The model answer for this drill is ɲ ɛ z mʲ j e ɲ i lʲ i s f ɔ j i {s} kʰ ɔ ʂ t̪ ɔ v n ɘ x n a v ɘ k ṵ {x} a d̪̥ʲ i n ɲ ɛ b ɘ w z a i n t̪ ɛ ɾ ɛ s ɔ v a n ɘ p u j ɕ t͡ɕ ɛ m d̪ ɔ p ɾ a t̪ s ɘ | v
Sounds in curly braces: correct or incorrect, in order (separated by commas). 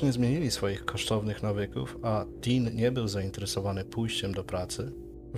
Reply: incorrect, incorrect